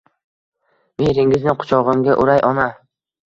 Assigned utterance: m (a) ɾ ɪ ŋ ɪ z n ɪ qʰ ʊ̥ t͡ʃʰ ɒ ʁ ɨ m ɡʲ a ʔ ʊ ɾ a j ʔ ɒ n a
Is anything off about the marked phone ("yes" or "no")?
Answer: yes